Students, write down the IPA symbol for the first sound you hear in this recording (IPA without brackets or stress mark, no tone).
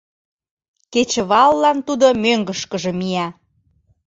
k